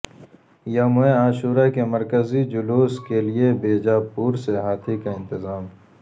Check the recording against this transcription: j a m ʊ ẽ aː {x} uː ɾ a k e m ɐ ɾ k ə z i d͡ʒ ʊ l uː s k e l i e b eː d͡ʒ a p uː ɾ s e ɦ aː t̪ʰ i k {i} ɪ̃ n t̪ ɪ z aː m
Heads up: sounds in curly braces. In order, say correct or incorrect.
incorrect: ʃ, incorrect: a

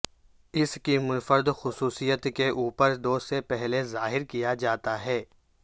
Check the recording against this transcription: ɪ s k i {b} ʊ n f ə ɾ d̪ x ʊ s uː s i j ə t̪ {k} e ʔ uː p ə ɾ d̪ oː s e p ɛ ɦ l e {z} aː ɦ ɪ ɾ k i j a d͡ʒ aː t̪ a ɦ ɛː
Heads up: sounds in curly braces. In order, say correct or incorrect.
incorrect: m, correct, correct

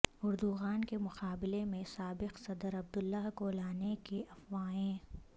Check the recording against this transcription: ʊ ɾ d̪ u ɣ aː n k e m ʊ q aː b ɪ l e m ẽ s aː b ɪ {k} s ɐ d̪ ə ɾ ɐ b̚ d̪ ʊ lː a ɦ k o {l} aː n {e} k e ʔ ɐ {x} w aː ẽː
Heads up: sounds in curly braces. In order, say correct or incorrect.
incorrect: q, correct, correct, incorrect: f

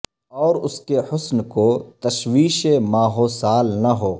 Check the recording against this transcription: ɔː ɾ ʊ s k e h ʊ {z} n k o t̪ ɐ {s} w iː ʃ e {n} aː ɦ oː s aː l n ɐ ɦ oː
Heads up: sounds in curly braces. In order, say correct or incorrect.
incorrect: s, incorrect: ʃ, incorrect: m

